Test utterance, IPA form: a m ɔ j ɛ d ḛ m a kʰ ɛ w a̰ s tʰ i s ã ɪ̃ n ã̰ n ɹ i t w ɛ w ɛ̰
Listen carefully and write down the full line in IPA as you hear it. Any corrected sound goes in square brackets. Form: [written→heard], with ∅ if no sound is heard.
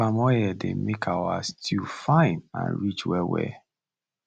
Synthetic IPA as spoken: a m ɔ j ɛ d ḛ m [a→e] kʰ [ɛ→a] w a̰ s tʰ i [s→f] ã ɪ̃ n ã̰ n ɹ i [t→t͡ʃ] w ɛ w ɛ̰